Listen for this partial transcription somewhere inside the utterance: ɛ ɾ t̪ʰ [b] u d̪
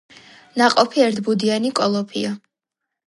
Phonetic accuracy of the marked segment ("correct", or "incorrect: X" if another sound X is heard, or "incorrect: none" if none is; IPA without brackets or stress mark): correct